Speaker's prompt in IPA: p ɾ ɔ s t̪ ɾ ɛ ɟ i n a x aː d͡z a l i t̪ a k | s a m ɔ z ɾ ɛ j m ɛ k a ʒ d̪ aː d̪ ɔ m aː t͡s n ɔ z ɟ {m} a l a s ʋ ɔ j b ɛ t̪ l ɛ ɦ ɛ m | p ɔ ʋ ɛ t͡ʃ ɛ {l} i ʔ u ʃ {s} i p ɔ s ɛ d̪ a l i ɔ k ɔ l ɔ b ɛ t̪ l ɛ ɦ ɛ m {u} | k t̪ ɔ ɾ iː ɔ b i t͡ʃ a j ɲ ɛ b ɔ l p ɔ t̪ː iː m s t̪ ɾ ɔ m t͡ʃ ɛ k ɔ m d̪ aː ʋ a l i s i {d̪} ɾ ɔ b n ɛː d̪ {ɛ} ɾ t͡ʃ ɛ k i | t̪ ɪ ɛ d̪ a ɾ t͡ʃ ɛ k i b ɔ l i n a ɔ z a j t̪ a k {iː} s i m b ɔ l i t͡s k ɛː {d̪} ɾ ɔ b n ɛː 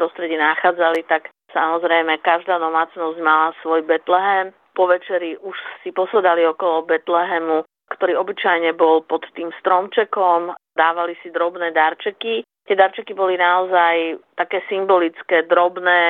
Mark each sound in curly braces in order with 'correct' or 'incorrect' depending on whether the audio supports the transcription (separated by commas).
correct, incorrect, correct, correct, correct, incorrect, incorrect, correct